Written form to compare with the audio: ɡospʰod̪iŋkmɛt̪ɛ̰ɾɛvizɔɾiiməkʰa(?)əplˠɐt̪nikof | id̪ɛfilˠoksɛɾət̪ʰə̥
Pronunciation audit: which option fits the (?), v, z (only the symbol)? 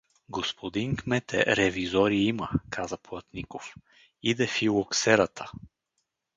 z